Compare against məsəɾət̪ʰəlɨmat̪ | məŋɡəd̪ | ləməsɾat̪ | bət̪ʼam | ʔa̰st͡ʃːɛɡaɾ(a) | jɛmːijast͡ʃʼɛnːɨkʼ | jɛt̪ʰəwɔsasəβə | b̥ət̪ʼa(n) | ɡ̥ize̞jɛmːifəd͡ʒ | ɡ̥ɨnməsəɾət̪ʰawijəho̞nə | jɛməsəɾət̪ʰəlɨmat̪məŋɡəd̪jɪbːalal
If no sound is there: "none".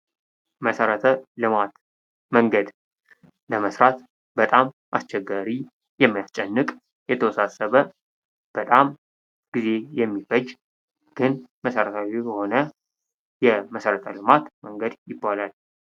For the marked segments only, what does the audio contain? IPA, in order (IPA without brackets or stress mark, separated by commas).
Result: i, m